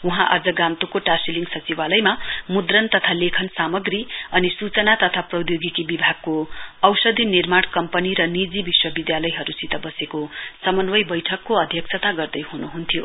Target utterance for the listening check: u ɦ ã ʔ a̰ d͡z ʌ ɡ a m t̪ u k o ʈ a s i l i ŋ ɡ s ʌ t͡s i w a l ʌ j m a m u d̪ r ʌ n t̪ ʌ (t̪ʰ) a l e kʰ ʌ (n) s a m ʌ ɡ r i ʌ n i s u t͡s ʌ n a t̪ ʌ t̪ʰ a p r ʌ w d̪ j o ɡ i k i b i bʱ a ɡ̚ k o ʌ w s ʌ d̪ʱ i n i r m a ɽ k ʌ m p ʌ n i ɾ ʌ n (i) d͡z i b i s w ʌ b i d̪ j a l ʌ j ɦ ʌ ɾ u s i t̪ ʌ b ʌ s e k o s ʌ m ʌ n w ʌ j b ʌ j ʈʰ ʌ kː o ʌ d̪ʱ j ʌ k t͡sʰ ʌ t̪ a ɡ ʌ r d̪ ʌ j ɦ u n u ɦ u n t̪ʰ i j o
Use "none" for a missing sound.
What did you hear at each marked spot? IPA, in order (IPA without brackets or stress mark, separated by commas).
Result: t̪ʰ, n, i